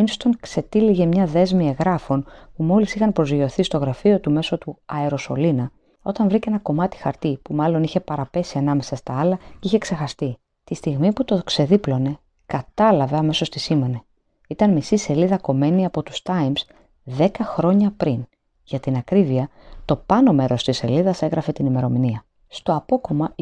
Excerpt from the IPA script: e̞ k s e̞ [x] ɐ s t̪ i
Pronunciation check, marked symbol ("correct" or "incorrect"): correct